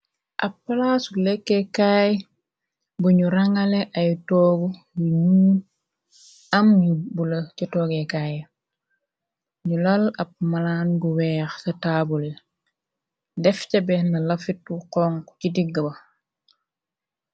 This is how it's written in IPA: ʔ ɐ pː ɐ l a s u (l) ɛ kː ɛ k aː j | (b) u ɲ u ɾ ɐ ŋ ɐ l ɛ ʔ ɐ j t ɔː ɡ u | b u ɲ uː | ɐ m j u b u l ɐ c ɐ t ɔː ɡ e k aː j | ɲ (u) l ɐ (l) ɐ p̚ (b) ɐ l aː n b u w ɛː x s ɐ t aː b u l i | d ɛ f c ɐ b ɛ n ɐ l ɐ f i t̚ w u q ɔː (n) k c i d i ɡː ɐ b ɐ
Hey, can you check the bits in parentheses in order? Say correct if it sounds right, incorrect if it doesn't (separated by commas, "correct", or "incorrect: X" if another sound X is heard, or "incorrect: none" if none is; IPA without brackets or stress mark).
correct, correct, correct, correct, incorrect: m, incorrect: ŋ